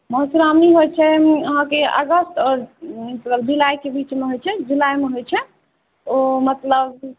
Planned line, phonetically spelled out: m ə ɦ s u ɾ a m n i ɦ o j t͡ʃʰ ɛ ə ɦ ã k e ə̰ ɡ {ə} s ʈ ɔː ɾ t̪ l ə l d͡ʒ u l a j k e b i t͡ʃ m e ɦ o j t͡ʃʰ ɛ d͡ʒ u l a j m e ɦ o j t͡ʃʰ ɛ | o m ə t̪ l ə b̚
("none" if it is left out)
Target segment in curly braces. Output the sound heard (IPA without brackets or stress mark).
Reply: ə